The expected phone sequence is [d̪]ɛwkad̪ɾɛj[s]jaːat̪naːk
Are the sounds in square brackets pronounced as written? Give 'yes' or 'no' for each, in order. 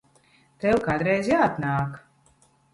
no, no

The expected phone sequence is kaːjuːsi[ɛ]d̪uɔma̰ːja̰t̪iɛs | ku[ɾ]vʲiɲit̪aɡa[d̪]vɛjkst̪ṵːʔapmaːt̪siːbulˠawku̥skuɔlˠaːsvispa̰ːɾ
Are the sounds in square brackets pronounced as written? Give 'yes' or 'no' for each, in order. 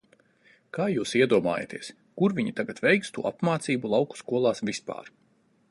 yes, yes, no

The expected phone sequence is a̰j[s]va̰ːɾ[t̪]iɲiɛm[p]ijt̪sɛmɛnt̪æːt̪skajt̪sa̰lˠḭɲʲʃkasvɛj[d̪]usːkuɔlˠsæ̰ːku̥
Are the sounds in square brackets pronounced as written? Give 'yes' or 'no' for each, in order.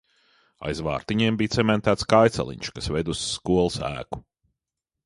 no, yes, no, yes

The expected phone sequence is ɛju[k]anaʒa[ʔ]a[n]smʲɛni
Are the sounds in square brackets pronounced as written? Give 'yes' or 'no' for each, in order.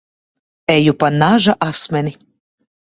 no, yes, no

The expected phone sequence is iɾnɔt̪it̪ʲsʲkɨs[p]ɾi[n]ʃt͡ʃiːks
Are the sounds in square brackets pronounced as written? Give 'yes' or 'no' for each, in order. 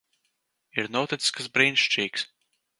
no, yes

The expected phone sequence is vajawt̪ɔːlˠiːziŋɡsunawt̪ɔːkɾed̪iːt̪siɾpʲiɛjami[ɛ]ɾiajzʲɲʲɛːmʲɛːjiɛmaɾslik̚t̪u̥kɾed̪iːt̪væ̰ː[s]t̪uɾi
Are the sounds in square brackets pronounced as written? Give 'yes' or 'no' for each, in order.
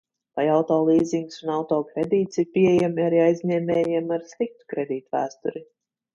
no, yes

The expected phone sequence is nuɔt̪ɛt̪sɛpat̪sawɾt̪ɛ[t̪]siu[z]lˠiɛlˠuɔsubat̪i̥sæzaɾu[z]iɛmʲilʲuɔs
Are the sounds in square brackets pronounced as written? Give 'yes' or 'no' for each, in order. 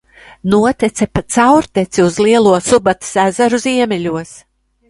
yes, yes, yes

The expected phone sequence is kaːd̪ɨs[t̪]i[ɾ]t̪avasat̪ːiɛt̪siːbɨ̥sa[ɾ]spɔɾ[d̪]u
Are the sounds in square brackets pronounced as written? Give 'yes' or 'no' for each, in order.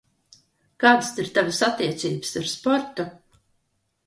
yes, yes, yes, no

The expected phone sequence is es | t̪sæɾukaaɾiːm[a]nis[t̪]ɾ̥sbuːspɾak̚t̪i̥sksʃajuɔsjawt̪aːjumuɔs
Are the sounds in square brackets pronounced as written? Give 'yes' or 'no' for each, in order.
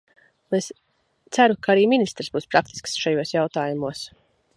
no, yes

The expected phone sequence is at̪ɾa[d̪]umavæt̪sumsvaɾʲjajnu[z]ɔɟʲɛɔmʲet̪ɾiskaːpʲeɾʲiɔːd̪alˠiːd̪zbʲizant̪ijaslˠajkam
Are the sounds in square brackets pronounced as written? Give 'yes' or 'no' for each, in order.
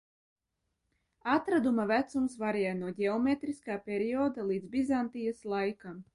yes, no

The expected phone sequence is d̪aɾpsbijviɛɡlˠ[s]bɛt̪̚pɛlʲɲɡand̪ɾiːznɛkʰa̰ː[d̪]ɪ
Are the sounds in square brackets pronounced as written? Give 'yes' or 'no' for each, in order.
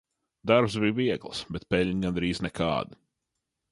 yes, yes

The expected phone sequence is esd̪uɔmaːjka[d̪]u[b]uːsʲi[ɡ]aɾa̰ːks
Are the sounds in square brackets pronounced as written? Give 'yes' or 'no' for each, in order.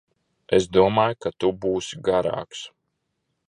no, yes, yes

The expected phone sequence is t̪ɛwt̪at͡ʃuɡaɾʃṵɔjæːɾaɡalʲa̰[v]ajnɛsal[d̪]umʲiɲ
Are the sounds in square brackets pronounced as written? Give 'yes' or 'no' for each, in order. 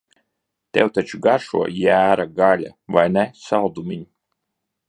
yes, yes

